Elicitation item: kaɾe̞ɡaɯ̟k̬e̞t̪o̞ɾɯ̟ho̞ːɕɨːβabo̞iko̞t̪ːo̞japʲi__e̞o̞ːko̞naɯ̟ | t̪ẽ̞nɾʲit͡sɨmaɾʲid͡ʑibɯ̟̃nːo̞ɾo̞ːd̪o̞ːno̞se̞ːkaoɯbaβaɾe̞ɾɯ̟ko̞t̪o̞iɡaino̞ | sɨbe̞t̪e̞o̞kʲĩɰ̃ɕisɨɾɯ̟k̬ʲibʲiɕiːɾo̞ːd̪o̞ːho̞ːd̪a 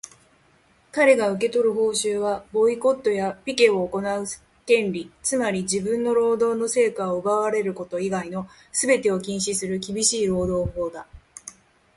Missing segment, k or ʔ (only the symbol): k